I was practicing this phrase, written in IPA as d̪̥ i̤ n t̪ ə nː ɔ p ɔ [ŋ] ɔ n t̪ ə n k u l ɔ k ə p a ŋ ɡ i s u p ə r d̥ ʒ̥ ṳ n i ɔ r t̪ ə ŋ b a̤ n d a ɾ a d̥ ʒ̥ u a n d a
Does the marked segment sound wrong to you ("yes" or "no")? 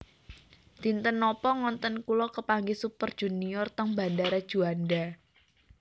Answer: no